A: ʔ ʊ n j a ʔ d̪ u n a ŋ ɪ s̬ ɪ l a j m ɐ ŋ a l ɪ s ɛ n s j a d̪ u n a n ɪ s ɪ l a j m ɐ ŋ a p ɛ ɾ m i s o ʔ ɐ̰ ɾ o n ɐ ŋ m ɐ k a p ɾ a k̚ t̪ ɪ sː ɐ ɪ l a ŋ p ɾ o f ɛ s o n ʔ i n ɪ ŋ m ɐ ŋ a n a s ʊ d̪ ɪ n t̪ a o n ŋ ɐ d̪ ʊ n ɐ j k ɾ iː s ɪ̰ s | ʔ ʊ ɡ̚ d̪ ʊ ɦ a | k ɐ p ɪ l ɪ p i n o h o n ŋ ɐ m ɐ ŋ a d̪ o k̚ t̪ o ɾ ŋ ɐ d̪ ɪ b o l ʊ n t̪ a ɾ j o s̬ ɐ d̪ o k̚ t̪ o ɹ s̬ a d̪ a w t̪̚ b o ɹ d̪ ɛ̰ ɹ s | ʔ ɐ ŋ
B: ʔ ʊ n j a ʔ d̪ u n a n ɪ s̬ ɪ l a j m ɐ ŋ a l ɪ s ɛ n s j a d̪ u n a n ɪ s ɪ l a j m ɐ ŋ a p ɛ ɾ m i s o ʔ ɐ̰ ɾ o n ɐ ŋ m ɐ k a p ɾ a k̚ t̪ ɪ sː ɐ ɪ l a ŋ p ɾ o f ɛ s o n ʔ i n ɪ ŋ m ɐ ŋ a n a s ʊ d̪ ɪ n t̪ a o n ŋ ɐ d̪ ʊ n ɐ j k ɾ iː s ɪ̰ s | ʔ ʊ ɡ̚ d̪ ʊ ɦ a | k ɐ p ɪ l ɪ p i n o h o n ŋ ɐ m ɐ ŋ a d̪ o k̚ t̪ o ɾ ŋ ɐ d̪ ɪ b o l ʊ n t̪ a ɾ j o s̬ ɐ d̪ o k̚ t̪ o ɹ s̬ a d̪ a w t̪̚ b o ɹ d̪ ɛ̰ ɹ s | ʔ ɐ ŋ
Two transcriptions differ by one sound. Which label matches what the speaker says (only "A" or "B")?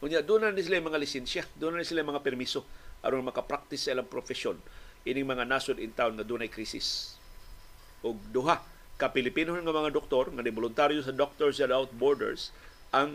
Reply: B